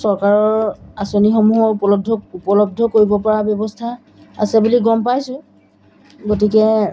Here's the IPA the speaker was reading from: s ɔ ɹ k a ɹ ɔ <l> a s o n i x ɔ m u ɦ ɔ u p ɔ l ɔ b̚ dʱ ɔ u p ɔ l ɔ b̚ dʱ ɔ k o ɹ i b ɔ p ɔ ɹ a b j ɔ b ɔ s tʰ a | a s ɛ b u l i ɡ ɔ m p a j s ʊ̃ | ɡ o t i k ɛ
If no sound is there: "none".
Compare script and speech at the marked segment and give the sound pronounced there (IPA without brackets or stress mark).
ɹ